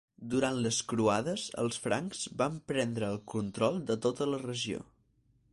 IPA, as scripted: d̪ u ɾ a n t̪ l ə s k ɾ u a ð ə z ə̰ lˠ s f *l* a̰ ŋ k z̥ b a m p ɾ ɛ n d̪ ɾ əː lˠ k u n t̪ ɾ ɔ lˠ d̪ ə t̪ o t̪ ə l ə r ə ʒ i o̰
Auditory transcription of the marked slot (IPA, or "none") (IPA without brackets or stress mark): ɾ